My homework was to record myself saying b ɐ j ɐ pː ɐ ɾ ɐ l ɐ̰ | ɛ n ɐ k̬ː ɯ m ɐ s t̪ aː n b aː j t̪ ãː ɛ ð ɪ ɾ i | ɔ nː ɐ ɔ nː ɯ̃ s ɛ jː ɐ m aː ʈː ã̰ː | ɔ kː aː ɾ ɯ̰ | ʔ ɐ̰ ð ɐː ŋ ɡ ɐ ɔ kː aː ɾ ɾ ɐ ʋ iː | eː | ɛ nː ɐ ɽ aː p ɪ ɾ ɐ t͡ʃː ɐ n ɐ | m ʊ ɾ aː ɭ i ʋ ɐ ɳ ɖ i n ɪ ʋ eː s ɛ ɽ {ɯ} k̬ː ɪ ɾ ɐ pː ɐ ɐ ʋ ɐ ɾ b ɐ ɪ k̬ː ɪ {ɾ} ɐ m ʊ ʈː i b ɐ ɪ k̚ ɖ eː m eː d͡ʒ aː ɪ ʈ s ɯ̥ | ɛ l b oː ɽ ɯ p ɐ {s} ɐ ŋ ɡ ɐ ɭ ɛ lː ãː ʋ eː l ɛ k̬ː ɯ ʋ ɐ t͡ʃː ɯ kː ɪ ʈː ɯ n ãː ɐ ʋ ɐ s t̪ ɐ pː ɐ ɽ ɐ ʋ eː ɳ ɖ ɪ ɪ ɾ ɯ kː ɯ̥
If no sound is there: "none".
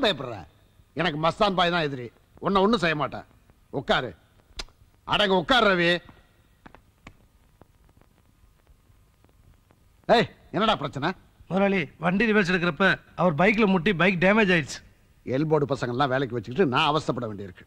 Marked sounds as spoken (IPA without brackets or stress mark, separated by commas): ɯ, l, s